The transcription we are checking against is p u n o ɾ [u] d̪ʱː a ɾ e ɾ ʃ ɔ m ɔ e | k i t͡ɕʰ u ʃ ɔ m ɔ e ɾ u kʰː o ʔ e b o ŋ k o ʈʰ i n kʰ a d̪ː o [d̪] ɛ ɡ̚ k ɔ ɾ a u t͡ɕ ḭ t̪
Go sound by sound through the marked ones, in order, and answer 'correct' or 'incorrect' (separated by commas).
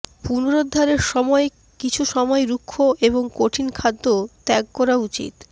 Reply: incorrect, incorrect